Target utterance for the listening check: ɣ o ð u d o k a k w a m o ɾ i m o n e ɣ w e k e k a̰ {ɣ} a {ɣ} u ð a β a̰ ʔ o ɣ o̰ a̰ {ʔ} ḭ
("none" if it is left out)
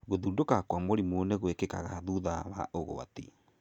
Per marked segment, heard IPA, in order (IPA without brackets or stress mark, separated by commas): ɣ, ð, t